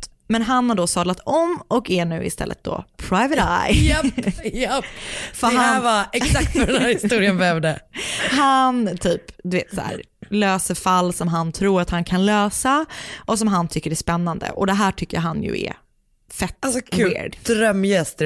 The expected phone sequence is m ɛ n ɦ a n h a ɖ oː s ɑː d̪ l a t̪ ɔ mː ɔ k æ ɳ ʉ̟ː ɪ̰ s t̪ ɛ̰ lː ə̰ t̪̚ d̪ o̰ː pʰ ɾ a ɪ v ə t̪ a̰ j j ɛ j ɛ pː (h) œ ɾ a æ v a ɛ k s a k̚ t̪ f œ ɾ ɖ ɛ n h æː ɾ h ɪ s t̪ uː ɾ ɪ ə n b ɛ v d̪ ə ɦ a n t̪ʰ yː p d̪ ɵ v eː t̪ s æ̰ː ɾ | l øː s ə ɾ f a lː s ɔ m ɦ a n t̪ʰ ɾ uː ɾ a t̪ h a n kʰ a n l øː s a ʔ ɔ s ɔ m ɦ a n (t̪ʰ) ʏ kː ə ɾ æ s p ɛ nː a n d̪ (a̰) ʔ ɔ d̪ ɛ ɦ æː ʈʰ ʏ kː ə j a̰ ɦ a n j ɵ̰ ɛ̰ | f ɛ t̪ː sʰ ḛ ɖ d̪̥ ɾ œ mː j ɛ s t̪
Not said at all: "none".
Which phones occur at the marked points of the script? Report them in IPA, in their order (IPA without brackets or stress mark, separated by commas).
f, t̪ʰ, ə̰